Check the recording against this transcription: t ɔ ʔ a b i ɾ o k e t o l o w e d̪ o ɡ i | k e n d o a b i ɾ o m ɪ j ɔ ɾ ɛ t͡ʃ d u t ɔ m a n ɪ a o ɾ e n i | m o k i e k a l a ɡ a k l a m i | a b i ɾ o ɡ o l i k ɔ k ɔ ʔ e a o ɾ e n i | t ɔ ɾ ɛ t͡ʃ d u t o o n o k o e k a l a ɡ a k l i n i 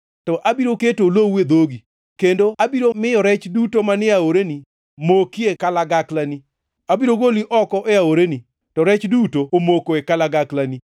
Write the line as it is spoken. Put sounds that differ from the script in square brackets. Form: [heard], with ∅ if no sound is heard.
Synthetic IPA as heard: t ɔ ʔ a b i ɾ o k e t o l o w e d̪ o ɡ i | k e n d o a b i ɾ o m ɪ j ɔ ɾ ɛ t͡ʃ d u t [o] m a n ɪ a o ɾ e n i | m o k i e k a l a ɡ a k l a [n] i | a b i ɾ o ɡ o l i [ʔ] ɔ k ɔ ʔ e a o ɾ e n i | t ɔ ɾ ɛ t͡ʃ d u t o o [m] o k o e k a l a ɡ a k l [a] n i